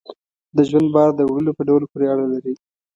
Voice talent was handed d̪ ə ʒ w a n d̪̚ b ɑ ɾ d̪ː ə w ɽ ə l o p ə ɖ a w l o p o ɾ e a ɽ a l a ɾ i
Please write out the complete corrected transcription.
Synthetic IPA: d̪ ə ʒ w a n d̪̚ b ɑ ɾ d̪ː ə w ɽ ə l o p ə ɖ a w l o p o ɾ e a ɽ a l a ɾ i